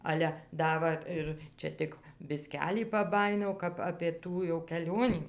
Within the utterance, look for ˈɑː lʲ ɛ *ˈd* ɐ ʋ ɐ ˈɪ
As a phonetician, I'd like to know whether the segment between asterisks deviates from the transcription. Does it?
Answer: no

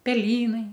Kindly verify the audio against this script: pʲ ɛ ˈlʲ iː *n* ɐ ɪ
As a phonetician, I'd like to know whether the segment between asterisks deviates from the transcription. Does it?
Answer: no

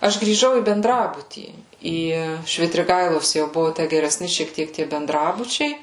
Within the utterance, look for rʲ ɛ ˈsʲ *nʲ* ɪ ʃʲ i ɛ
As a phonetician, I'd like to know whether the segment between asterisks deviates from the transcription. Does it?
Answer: no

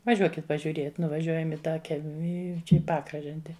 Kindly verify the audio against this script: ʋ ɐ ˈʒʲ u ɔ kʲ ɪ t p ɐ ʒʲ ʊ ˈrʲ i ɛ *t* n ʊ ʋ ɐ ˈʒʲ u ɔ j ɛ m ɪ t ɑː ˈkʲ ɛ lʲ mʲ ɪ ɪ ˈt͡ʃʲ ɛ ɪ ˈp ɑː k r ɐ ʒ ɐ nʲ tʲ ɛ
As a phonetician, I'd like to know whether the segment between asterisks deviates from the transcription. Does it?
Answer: no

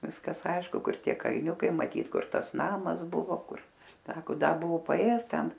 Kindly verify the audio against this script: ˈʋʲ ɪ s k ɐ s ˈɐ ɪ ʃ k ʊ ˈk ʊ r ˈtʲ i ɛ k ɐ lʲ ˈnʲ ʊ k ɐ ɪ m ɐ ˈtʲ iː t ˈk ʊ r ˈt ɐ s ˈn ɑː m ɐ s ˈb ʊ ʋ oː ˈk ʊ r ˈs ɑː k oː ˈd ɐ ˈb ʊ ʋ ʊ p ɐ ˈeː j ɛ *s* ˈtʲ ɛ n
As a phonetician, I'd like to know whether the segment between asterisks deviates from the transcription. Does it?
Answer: no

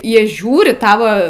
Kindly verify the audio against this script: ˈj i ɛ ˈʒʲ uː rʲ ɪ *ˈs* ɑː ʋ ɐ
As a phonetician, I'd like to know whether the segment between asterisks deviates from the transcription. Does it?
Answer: yes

